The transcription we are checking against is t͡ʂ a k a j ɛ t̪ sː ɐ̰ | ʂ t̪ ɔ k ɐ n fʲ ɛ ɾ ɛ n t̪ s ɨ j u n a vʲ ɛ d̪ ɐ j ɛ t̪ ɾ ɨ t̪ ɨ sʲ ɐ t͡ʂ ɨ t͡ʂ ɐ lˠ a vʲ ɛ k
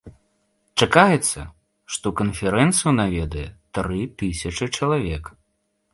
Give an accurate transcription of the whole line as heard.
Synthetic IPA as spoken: t͡ʂ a k a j ɛ t̪ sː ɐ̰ | ʂ t̪ ɔ k ɐ n fʲ ɛ ɾ ɛ n t̪ s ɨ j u n a vʲ ɛ d̪ ɐ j ɛ t̪ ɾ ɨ t̪ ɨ sʲ ɐ t͡ʂ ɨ t͡ʂ ɐ lˠ a vʲ ɛ k